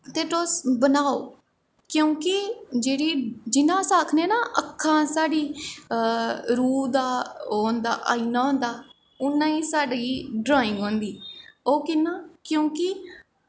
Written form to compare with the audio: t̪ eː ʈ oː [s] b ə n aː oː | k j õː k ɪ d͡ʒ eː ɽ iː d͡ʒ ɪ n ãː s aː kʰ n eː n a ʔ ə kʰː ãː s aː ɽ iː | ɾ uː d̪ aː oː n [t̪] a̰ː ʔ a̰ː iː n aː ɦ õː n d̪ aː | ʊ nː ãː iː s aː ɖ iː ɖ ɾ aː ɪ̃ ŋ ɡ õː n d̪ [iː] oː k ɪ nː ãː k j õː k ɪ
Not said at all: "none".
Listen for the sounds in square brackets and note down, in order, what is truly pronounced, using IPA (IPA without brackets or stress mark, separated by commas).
s, d̪, iː